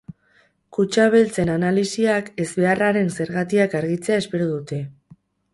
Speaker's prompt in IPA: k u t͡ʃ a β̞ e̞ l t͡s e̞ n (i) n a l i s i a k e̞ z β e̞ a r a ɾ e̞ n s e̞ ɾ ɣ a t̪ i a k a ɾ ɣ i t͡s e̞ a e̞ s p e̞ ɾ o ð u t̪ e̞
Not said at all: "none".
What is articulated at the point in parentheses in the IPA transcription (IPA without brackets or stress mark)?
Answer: a